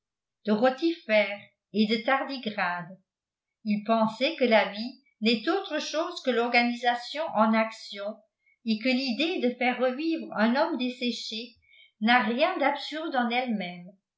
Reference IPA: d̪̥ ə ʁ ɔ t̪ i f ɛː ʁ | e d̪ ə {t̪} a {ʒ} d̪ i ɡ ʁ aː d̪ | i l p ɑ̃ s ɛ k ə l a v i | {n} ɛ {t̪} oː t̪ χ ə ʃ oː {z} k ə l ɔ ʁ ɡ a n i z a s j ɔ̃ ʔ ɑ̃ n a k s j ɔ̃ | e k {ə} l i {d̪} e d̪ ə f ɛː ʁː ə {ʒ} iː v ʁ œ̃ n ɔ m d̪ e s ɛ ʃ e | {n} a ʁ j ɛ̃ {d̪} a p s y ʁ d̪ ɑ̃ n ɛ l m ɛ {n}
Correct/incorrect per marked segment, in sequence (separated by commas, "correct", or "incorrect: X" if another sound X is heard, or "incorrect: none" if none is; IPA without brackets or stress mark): correct, incorrect: ʁ, correct, correct, correct, correct, correct, incorrect: v, correct, correct, incorrect: m